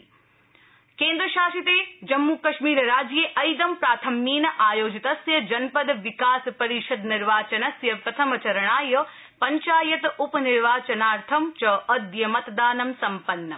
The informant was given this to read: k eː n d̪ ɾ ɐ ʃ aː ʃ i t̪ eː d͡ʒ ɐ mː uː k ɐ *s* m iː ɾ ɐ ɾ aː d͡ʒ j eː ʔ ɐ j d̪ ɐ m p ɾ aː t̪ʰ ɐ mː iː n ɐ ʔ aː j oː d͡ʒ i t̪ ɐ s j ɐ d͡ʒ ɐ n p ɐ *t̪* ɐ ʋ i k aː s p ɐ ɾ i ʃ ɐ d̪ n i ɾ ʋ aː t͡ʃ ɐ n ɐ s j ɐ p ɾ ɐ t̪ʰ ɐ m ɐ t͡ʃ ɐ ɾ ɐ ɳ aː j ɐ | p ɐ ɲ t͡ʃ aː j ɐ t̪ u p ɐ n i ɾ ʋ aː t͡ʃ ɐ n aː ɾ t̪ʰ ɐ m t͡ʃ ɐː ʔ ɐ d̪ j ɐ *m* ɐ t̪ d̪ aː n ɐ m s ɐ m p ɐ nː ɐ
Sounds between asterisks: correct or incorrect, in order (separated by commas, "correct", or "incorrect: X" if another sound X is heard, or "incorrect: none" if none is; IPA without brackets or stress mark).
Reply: incorrect: ʃ, incorrect: d̪, correct